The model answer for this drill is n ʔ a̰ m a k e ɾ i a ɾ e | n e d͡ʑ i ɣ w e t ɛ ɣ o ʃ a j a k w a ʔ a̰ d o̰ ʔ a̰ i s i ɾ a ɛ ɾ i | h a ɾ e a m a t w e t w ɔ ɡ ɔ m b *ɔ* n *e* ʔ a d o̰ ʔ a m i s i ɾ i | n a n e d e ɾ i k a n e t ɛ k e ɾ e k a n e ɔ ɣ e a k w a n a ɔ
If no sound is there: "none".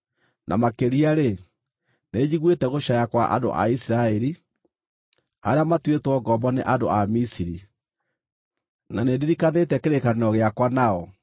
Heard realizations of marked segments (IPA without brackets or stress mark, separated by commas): ɔ, e